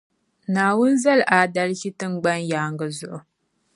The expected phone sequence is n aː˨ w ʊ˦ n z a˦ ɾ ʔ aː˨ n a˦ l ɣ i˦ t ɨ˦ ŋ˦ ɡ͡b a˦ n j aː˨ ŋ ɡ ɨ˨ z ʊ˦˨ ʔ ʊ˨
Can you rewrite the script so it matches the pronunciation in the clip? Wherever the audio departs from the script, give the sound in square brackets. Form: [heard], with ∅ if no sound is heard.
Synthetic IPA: n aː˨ w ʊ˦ n z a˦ [l] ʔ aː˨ [d] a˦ l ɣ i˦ t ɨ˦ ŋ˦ ɡ͡b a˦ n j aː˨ ŋ ɡ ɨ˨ z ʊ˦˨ ʔ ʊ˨